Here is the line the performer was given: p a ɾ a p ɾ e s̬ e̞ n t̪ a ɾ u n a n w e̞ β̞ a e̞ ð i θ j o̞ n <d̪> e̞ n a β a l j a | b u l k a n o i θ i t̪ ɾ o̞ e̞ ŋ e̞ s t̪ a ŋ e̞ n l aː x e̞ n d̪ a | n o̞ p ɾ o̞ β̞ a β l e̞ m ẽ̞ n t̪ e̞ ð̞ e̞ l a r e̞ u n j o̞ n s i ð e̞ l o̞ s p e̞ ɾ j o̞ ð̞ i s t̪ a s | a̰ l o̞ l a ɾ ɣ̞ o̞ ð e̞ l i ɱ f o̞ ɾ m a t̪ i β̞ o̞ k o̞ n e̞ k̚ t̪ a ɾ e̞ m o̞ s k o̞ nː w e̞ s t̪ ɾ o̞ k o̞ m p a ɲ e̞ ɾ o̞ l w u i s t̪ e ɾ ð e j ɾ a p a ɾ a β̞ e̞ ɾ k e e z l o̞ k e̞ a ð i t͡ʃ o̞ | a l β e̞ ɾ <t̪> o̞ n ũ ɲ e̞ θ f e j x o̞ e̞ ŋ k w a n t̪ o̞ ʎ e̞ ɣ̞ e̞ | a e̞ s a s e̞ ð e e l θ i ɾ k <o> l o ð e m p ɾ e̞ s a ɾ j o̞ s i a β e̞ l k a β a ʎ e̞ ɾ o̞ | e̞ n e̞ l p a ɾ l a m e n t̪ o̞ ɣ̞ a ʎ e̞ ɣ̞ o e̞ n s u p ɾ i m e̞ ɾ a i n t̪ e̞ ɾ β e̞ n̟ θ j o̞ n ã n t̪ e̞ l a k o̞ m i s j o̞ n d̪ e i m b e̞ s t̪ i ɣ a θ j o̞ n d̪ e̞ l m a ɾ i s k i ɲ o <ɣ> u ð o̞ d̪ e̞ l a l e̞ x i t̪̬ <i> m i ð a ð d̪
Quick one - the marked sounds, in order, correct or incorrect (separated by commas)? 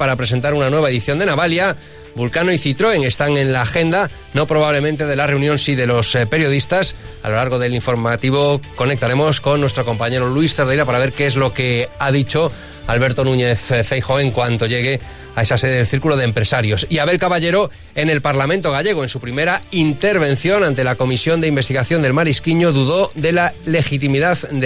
correct, correct, incorrect, incorrect, correct